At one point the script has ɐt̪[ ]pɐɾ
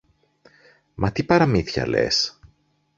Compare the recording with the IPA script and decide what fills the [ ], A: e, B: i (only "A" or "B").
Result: B